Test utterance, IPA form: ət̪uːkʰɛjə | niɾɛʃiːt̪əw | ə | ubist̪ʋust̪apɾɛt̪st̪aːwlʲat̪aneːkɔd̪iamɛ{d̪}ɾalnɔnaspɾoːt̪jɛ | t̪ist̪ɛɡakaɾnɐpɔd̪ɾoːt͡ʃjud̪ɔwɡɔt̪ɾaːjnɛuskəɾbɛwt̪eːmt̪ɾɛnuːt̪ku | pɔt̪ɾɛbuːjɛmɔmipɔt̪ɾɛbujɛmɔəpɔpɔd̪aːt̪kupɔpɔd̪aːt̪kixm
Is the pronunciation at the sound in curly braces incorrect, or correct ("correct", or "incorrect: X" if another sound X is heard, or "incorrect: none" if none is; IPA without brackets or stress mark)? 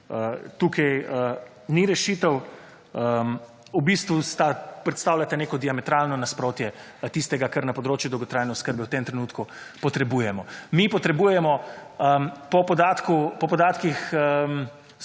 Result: incorrect: t̪